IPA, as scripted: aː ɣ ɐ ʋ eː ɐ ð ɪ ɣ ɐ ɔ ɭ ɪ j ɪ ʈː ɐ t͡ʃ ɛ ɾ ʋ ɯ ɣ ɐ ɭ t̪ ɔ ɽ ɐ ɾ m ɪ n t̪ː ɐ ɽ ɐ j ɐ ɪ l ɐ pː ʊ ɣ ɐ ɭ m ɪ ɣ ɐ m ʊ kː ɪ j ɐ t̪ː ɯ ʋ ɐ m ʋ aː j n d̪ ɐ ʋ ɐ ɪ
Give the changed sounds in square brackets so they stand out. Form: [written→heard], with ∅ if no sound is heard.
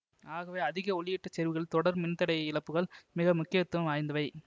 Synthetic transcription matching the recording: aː ɣ ɐ ʋ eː ɐ ð ɪ ɣ ɐ ɔ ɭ ɪ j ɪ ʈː ɐ t͡ʃ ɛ ɾ ʋ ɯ ɣ ɐ ɭ t̪ ɔ ɽ ɐ ɾ m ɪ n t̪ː ɐ ɽ ɐ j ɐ ɪ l ɐ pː [ʊ→ɯ] ɣ ɐ ɭ m ɪ ɣ ɐ m ʊ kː ɪ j ɐ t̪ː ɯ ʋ ɐ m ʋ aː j n d̪ ɐ ʋ ɐ ɪ